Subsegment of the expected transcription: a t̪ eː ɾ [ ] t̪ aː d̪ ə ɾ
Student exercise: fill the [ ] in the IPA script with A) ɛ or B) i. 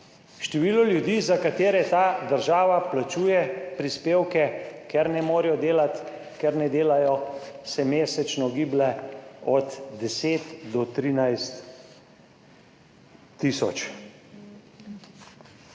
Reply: A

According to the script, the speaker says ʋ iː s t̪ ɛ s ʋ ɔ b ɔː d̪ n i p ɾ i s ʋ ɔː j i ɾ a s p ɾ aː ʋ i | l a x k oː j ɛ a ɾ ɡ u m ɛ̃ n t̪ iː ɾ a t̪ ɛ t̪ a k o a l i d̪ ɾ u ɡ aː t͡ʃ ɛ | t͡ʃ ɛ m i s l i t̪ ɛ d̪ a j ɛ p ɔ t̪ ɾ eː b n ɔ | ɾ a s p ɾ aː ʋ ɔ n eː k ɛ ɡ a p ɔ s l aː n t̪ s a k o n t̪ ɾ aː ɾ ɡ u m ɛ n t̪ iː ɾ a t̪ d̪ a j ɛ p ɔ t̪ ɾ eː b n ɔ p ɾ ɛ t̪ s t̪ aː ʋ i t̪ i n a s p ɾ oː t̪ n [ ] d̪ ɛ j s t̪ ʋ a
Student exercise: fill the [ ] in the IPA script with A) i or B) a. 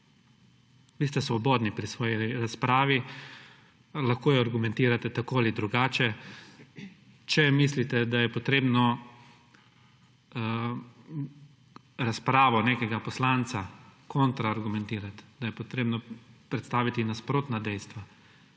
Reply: B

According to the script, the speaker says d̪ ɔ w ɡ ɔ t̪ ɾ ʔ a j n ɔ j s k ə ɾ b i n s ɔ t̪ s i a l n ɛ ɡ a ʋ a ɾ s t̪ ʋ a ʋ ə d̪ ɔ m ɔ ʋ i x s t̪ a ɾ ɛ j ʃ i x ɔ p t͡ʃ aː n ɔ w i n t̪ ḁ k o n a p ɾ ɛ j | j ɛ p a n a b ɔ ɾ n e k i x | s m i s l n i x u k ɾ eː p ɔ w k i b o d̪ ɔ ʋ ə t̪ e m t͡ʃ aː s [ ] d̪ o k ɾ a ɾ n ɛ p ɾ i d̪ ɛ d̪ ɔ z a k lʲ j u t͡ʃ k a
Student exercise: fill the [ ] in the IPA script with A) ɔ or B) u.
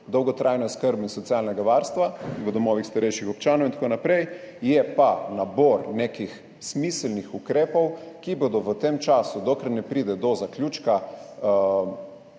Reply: B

